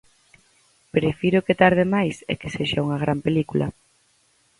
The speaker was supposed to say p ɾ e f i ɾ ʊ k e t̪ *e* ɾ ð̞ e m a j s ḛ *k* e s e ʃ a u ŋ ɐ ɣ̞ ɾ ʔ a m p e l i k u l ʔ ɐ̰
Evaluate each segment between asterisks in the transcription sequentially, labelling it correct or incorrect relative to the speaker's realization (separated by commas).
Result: incorrect, correct